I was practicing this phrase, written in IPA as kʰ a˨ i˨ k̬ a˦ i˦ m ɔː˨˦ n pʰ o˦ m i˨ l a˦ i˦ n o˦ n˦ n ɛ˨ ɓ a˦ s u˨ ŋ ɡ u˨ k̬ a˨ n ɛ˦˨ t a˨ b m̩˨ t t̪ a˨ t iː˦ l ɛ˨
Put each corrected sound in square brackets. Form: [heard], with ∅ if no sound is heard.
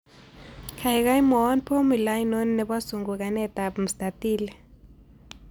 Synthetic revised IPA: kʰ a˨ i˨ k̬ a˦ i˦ m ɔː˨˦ n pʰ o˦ m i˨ l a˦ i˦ n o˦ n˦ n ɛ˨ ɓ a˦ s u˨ ŋ ɡ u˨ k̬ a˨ n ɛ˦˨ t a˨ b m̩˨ [s] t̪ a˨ t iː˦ l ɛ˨